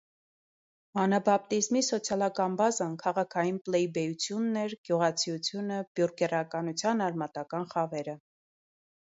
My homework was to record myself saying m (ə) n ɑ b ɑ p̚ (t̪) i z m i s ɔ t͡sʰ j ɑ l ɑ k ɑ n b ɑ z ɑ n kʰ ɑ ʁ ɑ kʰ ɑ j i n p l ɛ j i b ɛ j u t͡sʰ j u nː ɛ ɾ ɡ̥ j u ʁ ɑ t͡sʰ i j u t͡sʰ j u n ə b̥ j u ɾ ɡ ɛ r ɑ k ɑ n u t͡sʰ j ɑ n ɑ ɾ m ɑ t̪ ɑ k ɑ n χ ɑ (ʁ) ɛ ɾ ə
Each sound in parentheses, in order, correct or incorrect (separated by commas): incorrect, correct, incorrect